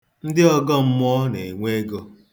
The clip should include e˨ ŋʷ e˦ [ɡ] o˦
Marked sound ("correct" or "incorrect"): correct